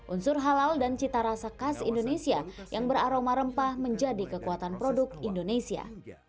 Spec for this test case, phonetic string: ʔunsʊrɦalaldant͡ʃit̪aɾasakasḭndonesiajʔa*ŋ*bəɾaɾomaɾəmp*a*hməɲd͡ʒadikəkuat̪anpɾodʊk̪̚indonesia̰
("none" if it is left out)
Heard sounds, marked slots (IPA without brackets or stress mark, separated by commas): ŋ, a